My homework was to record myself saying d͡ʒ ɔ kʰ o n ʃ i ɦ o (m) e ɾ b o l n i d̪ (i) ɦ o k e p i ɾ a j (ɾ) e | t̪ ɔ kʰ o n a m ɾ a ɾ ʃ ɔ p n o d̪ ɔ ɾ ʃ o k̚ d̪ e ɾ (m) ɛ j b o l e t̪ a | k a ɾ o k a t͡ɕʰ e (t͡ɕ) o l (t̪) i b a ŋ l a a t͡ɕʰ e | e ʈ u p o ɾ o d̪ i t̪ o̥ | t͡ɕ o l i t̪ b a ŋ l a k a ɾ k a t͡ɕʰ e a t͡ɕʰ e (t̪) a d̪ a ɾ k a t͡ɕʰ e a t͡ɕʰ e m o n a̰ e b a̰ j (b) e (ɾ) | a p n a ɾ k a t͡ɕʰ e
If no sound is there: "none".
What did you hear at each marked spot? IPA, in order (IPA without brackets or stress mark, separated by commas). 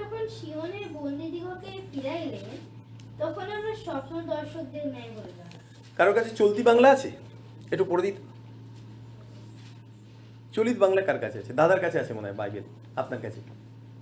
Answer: n, i, l, n, t͡ɕ, t̪, d̪, b, l